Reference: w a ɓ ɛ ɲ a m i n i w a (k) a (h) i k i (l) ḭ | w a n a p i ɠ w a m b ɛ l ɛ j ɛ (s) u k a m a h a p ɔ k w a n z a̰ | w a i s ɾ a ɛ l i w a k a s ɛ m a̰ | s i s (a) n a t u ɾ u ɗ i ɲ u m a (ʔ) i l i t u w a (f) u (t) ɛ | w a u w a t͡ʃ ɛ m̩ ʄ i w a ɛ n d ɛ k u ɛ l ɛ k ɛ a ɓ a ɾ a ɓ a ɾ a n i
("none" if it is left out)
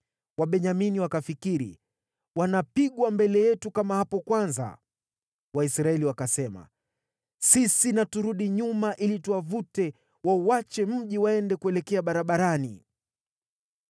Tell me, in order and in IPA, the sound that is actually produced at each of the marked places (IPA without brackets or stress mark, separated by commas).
k, f, ɾ, t, i, ʔ, v, t